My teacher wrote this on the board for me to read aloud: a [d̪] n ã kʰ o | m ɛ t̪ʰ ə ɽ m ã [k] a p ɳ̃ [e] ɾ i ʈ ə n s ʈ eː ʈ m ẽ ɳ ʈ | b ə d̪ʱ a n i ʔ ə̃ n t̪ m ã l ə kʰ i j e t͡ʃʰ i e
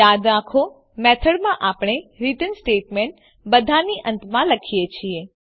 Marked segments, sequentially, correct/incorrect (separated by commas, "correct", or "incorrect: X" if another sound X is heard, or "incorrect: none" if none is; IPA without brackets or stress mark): correct, incorrect: ʔ, correct